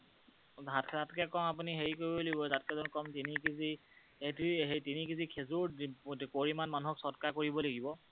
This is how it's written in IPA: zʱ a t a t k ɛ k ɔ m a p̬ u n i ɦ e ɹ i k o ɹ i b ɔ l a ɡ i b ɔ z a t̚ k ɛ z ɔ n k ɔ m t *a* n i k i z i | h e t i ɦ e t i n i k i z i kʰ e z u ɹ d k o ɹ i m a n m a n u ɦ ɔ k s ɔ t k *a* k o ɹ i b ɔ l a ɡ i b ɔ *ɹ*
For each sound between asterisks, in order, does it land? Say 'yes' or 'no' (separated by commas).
no, yes, no